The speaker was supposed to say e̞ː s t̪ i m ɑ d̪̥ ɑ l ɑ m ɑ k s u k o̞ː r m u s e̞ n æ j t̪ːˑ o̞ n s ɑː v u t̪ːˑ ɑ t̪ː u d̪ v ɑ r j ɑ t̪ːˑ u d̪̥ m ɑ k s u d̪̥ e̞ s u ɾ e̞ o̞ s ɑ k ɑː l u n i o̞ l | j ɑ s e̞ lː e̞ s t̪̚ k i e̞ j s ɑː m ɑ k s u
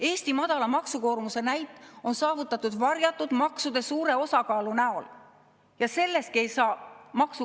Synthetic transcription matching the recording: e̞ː s t̪ i m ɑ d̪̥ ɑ l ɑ m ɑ k s u k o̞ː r m u s e̞ n æ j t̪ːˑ o̞ n s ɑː v u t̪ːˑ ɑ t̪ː u d̪ v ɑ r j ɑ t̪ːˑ u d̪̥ m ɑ k s u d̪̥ e̞ s uː ɾ e̞ o̞ s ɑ k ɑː l u n æ o̞ l | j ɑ s e̞ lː e̞ s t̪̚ k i e̞ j s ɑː m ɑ k s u